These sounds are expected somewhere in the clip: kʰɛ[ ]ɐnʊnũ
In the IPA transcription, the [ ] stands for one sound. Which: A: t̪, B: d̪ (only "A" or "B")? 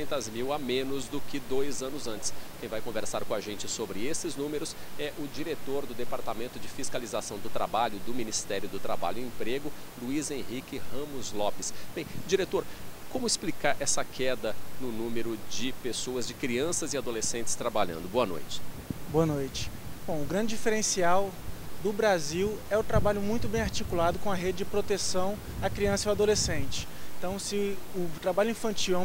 B